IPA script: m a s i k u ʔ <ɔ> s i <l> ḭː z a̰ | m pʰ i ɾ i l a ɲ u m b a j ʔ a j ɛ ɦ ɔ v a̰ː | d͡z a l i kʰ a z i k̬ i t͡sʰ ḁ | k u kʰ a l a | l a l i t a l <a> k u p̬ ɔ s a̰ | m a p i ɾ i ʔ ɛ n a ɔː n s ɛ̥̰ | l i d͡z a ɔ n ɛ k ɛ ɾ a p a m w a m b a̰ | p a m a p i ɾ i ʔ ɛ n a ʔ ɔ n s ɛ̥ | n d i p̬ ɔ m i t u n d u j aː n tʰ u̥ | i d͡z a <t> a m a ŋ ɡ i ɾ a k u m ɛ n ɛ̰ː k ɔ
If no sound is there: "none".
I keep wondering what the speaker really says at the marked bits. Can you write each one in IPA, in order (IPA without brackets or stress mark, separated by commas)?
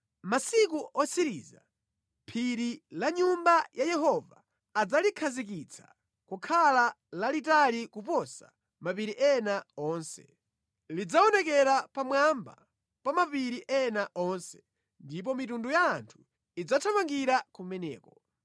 ɔ, ɾ, i, tʰ